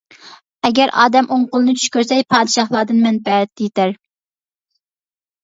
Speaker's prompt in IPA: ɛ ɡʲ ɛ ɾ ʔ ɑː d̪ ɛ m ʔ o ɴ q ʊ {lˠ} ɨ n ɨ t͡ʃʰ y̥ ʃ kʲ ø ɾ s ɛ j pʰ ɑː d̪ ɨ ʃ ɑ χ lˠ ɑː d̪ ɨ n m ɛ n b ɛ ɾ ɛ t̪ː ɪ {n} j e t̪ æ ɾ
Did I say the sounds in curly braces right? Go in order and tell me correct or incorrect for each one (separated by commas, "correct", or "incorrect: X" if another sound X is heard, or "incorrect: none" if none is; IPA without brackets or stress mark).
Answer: correct, incorrect: none